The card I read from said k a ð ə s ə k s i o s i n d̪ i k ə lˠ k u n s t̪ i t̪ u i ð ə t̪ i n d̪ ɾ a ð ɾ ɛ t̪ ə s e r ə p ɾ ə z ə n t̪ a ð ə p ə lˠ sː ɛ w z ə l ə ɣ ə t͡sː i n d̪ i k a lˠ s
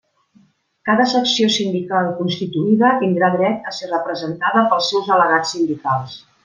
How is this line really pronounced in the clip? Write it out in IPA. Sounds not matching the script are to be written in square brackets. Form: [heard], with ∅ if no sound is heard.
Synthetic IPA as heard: k a ð ə s ə k s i o s i n d̪ i k [a] lˠ k u n s t̪ i t̪ u i ð ə t̪ i n d̪ ɾ a ð ɾ ɛ t̪ ə s e r ə p ɾ ə z ə n t̪ a ð ə p ə lˠ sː ɛ w z ə l ə ɣ [a] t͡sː i n d̪ i k a lˠ s